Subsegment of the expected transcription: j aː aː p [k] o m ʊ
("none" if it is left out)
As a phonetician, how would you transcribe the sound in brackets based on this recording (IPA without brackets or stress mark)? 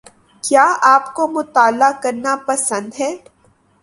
k